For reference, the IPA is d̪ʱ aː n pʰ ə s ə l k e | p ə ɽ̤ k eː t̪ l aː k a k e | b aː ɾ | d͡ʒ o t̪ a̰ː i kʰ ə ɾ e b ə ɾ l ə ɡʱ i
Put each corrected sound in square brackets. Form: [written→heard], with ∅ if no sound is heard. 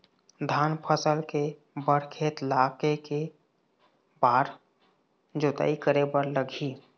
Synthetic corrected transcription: d̪ʱ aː n pʰ ə s ə l k e | [p→b] ə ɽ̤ [k→kʰ] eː t̪ l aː k [a→e] k e | b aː ɾ | d͡ʒ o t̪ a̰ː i [kʰ→k] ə ɾ e b ə ɾ l ə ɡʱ i